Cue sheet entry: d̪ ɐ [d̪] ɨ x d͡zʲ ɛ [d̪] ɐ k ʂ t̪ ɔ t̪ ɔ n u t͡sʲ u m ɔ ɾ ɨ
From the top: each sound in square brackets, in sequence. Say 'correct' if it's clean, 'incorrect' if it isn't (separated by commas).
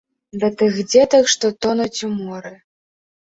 incorrect, incorrect